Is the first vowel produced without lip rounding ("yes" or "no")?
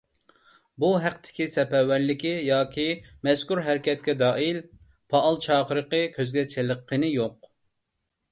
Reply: no